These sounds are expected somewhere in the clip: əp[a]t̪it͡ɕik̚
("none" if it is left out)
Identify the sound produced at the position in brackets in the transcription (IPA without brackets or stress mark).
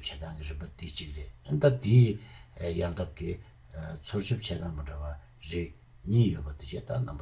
a